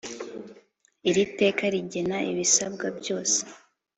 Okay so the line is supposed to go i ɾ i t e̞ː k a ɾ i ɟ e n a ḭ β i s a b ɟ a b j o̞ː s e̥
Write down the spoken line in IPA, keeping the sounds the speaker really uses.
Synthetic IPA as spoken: i ɾ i t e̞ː k a ɾ i ɟ e n a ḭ β i s a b ɡ a b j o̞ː s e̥